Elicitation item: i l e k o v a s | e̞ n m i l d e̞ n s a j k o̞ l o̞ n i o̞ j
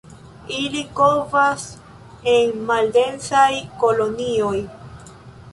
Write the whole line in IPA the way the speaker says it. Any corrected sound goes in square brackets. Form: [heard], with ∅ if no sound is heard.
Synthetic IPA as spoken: i l [i] k o v a s | e̞ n m [a] l d e̞ n s a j k o̞ l o̞ n i o̞ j